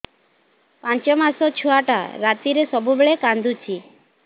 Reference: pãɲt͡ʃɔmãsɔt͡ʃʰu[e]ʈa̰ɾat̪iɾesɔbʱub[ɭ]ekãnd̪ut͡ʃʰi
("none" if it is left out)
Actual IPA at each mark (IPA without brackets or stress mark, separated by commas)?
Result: a, ɭ